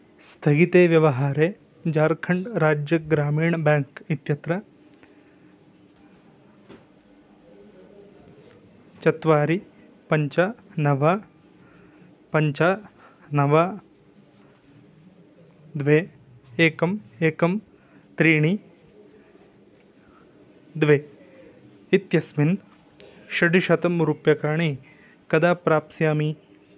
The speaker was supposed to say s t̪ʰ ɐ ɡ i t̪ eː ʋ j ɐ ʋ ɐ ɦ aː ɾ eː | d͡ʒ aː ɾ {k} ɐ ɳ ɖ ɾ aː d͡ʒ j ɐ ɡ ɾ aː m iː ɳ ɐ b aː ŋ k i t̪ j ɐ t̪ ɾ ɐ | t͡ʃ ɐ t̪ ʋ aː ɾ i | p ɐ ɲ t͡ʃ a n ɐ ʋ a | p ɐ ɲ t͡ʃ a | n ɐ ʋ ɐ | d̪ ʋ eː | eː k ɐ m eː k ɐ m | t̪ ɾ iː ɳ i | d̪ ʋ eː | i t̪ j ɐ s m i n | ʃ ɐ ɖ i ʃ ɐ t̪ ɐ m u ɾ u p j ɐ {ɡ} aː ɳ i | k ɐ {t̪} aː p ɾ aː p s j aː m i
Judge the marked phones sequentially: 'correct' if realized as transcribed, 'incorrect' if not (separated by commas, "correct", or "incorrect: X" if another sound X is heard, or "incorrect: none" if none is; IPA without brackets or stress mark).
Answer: incorrect: kʰ, incorrect: k, incorrect: d̪